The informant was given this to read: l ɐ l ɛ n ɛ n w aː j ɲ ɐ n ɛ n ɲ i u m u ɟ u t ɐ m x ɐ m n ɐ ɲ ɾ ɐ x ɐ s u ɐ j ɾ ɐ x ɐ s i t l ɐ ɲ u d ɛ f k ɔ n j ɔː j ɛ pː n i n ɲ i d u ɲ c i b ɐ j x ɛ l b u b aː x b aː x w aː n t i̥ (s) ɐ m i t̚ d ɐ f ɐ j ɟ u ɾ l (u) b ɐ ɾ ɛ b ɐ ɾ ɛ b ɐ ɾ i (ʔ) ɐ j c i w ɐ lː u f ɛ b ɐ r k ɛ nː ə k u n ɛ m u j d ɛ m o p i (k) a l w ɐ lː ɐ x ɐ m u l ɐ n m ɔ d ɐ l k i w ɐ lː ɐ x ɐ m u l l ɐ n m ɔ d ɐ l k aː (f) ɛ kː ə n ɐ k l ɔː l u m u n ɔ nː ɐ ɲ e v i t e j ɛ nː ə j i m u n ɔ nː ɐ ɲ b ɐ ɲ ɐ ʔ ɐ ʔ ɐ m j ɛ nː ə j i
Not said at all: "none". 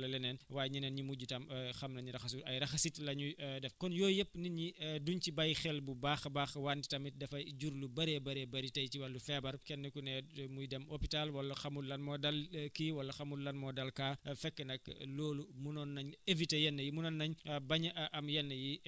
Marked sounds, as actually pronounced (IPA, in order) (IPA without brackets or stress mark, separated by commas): t, u, t, t, f